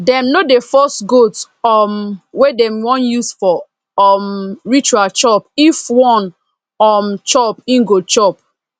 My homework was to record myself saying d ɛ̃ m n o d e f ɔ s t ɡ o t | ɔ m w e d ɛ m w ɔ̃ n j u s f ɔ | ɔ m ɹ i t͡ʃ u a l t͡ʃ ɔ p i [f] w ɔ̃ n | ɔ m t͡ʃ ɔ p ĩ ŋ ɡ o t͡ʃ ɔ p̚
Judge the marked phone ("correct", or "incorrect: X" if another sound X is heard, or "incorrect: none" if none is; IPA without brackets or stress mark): correct